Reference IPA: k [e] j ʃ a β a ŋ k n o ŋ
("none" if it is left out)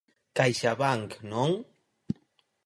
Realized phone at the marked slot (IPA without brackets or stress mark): a